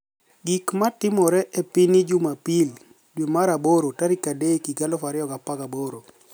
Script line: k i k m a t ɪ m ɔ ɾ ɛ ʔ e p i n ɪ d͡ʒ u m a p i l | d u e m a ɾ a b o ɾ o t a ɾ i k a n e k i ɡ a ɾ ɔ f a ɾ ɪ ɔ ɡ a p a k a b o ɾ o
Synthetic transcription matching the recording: ɡ i k m a t ɪ m ɔ ɾ ɛ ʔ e p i n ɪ d͡ʒ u m a p i l | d w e m a ɾ a b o ɾ o t a ɾ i k a d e k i ɡ a l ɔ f a ɾ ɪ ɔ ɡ a p a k a b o ɾ o